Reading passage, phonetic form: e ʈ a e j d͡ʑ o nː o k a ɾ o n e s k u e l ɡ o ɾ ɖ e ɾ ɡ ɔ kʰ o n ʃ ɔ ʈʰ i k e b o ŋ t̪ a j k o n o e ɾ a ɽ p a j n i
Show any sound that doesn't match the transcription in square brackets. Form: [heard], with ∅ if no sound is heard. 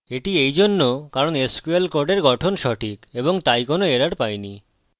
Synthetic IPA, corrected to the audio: e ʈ [i] e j d͡ʑ o nː o k a ɾ o n e s k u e l [k] o ɾ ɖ e ɾ ɡ ɔ [ʈʰ] o n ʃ ɔ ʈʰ i k e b o ŋ t̪ a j k o n o e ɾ a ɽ p a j n i